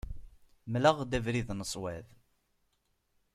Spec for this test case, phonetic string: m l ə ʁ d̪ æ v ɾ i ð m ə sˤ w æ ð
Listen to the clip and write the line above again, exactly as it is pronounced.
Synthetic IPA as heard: m l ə ʁ d̪ æ v ɾ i ð n ə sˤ w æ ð